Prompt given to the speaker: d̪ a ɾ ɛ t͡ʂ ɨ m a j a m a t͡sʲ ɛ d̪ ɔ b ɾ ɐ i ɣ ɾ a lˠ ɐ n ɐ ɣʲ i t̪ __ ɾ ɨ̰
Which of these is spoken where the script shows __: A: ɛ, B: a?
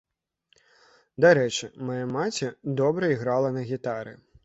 B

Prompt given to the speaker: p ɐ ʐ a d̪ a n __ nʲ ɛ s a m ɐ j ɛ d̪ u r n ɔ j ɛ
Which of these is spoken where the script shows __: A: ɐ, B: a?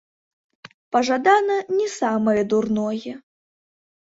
A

